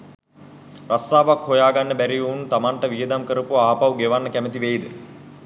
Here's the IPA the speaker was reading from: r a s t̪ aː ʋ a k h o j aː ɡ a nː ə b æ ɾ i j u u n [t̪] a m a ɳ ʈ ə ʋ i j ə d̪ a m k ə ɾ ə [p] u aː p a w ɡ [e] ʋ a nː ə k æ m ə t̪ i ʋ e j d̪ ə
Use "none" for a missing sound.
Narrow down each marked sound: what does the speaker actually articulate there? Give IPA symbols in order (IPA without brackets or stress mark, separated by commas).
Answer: t̪, p, e